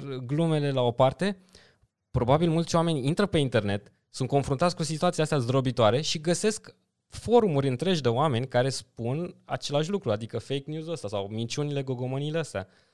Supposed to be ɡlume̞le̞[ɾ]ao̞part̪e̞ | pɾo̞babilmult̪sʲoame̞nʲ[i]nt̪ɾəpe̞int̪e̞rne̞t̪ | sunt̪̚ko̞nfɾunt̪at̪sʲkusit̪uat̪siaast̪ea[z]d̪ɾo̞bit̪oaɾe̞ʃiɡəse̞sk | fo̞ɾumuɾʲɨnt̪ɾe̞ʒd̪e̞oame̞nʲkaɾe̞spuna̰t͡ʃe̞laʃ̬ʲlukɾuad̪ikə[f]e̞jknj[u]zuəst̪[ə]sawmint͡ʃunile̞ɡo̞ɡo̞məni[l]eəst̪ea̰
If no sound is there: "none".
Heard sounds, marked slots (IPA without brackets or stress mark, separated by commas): l, i, z, f, u, a, l